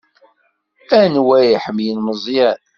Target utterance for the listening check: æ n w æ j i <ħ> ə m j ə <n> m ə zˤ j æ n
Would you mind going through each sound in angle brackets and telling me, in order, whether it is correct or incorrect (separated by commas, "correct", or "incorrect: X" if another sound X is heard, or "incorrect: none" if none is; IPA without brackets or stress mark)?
correct, correct